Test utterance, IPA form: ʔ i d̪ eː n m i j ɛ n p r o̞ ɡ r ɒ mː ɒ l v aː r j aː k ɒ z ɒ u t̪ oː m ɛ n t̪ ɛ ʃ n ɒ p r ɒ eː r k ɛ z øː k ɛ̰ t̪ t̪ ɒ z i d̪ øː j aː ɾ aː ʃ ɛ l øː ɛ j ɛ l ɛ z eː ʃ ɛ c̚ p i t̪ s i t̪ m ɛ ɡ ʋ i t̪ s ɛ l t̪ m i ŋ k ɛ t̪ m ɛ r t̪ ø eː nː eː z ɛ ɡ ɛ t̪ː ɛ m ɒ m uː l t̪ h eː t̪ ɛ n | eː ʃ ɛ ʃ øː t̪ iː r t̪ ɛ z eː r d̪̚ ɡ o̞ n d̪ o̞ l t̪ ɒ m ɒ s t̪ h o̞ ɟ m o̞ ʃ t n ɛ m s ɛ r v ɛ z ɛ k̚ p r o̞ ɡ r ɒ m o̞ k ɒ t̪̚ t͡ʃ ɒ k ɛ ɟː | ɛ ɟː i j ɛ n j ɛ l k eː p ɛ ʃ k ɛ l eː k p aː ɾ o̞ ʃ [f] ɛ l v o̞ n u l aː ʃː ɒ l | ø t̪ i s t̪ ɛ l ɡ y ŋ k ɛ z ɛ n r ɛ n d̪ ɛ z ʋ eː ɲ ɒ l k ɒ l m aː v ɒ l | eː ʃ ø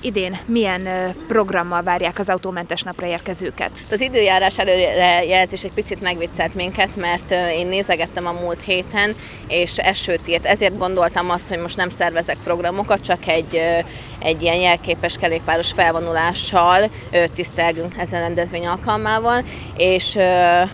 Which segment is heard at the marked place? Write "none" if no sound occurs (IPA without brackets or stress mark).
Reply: f